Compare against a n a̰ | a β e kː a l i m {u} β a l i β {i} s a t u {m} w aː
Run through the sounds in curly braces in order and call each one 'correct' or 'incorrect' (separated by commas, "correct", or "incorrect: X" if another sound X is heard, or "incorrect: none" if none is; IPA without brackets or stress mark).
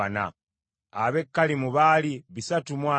correct, correct, correct